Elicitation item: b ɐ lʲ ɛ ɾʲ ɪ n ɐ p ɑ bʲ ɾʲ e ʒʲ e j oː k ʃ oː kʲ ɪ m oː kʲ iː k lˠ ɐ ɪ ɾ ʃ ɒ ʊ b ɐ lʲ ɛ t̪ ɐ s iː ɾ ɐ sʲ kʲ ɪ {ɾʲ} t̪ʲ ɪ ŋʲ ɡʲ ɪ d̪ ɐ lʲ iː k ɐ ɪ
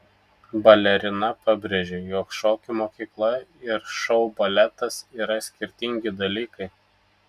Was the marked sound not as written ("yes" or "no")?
no